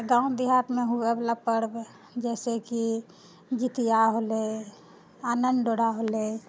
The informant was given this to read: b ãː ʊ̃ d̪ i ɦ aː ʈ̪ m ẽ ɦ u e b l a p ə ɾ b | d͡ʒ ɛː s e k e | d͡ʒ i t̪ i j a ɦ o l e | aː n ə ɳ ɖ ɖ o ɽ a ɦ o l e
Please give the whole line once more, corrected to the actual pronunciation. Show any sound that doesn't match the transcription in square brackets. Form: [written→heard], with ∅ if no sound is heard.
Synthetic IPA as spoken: [b→ɡ] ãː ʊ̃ d̪ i ɦ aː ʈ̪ m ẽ ɦ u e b l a p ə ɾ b | d͡ʒ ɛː s e k [e→i] | d͡ʒ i t̪ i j a ɦ o l e | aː n ə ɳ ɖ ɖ o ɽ a ɦ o l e